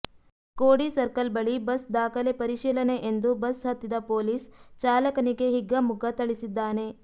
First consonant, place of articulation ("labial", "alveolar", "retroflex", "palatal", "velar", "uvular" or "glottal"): velar